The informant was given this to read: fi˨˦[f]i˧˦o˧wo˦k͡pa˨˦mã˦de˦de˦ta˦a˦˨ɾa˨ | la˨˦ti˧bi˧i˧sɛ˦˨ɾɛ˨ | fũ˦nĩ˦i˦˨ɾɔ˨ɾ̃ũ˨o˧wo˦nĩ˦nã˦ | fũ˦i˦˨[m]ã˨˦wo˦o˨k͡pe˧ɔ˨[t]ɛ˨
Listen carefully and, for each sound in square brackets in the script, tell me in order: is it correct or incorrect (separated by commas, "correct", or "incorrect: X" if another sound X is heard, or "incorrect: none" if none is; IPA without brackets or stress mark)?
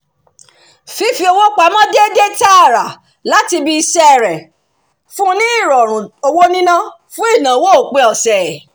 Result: correct, incorrect: n, incorrect: s